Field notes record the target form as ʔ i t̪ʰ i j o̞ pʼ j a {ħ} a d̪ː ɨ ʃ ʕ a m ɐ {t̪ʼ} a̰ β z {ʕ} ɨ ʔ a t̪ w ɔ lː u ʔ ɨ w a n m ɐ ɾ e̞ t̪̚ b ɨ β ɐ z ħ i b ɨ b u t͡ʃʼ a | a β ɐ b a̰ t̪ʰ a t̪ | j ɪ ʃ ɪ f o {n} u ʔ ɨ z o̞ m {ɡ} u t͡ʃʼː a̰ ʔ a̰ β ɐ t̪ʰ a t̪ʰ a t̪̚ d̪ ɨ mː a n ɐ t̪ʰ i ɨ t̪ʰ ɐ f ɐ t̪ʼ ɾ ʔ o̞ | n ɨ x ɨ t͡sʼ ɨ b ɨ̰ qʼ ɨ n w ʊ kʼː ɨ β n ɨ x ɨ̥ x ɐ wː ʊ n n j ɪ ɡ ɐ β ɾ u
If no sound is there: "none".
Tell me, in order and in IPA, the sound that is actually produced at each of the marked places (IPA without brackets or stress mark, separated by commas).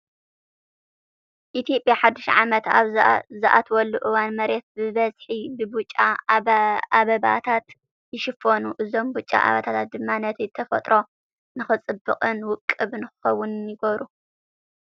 ħ, t̪, z, n, b